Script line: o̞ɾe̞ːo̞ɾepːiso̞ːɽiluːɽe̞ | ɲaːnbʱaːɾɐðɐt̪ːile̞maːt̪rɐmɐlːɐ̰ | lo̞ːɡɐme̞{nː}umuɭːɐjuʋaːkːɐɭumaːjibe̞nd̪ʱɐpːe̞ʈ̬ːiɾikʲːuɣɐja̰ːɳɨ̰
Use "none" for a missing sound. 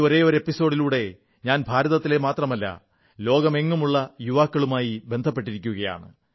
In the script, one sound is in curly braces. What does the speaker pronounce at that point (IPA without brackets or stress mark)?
ŋː